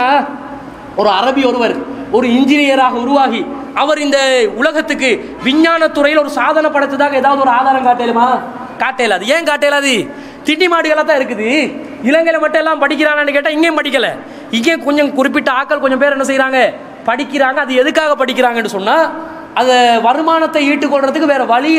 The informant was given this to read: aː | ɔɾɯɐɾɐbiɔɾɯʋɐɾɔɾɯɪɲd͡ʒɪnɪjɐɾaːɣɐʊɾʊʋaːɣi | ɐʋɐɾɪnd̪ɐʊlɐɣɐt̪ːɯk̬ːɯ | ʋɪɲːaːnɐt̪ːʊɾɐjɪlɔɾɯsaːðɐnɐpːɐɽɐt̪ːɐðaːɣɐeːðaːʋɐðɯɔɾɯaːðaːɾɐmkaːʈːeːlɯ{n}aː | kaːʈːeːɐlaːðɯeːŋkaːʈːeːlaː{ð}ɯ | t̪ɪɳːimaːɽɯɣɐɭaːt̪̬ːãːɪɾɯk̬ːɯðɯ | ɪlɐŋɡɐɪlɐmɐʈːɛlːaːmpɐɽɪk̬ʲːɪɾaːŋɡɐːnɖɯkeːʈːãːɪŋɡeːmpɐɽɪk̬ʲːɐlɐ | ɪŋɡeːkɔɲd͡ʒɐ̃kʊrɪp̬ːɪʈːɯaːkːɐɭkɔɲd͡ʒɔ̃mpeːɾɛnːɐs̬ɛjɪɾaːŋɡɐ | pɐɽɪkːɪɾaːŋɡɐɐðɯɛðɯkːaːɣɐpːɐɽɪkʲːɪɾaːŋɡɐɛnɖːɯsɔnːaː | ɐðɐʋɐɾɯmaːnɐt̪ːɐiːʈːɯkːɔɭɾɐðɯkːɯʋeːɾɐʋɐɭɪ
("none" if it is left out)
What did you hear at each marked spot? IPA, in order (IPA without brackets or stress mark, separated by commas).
m, ð